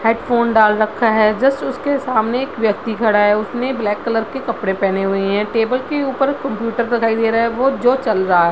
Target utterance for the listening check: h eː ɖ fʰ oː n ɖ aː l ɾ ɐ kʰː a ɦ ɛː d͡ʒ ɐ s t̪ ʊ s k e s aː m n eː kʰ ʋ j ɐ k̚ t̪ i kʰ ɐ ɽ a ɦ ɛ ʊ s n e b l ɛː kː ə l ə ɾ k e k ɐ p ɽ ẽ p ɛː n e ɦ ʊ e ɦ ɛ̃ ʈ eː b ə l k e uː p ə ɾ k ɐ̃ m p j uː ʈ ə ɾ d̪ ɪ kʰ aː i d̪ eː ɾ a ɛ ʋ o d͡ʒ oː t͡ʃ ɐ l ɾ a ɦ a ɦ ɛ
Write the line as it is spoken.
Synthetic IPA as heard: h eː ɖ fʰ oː n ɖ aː l ɾ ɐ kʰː a ɦ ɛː d͡ʒ ɐ s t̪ ʊ s k e s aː m n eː k ʋ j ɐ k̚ t̪ i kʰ ɐ ɽ a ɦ ɛ ʊ s n e b l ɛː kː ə l ə ɾ k e k ɐ p ɽ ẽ p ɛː n e ɦ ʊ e ɦ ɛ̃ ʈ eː b ə l k e uː p ə ɾ k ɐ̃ m p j uː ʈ ə ɾ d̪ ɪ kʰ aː i d̪ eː ɾ a ɛ ʋ o d͡ʒ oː t͡ʃ ɐ l ɾ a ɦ a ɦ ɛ

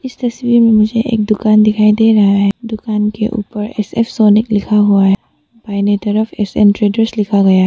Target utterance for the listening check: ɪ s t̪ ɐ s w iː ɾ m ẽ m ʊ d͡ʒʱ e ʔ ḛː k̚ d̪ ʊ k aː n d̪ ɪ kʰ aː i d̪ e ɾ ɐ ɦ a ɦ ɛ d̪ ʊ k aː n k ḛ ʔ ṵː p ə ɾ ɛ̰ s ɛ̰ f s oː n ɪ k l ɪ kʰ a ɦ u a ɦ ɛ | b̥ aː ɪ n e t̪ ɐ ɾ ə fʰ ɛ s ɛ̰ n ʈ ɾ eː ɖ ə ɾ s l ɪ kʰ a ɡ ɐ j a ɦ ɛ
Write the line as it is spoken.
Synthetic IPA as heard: ɪ s t̪ ɐ s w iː ɾ m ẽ m ʊ d͡ʒʱ e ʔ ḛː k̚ d̪ ʊ k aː n d̪ ɪ kʰ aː i d̪ e ɾ ɐ ɦ a ɦ ɛ d̪ ʊ k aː n k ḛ ʔ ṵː p ə ɾ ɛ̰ s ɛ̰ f s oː n ɪ k l ɪ kʰ a ɦ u a ɦ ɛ | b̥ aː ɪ n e t̪ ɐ ɾ ə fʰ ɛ s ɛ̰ n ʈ ɾ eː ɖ ə ɾ s l ɪ kʰ a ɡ ɐ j a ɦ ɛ

